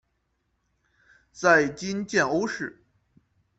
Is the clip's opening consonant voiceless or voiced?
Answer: voiceless